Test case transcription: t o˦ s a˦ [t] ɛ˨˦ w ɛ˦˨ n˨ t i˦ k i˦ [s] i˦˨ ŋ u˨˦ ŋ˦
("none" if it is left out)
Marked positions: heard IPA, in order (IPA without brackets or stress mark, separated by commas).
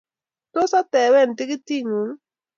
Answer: t, t